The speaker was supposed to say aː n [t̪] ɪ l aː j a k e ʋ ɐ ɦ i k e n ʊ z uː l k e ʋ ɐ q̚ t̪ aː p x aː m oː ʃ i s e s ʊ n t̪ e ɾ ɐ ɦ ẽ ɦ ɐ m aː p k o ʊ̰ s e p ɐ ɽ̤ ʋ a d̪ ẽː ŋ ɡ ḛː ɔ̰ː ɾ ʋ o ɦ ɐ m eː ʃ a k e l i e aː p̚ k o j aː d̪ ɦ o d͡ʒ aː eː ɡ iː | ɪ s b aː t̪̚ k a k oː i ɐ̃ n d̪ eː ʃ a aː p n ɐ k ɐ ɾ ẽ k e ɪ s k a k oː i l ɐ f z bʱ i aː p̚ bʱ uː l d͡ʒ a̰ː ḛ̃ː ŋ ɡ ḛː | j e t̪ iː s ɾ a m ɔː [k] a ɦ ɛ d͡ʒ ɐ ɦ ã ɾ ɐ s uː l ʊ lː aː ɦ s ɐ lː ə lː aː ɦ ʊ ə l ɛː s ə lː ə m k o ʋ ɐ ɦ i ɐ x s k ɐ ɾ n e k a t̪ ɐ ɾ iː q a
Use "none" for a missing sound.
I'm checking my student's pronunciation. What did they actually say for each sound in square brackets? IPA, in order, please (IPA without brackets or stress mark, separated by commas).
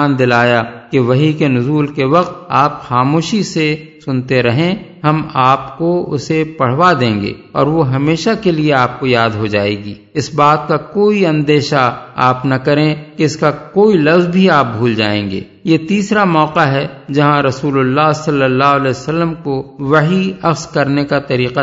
d̪, q